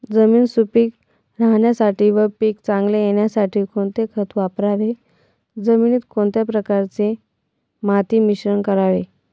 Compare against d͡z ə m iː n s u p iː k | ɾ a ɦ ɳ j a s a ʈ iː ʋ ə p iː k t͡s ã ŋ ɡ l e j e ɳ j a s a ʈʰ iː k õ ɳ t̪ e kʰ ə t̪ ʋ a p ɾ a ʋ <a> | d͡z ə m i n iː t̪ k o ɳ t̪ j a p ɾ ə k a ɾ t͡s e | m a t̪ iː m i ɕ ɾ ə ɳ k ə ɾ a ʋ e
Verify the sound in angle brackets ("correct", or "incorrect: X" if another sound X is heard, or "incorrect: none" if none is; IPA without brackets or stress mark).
incorrect: e